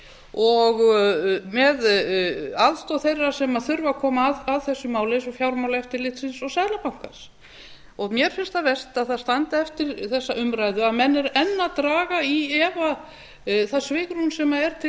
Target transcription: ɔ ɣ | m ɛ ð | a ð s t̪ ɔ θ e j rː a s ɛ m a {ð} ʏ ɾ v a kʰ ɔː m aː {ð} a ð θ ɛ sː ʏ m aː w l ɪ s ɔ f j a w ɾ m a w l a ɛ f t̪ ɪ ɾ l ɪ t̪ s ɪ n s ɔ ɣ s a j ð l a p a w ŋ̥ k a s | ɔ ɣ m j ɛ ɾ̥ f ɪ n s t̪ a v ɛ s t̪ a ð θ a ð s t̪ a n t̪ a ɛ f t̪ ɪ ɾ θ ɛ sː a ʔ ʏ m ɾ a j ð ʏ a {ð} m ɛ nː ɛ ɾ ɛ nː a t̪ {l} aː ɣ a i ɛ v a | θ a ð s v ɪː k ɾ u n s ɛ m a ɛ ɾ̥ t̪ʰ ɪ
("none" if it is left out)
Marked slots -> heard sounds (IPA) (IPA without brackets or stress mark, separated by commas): θ, ð, ð, ɾ